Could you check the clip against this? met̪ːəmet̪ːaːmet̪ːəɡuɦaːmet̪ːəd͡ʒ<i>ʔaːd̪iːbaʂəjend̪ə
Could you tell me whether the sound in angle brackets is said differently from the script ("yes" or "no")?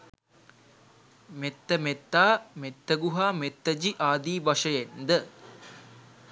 no